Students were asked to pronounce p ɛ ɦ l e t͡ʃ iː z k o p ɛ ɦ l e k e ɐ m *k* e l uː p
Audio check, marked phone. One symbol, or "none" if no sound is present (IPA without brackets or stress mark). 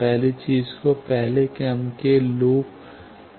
k